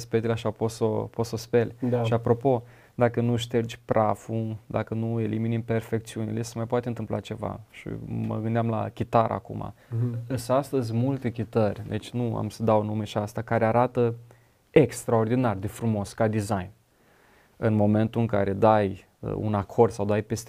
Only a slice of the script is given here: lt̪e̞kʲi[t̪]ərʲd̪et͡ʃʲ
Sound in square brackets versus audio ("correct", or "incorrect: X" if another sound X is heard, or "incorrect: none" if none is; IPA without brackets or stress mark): correct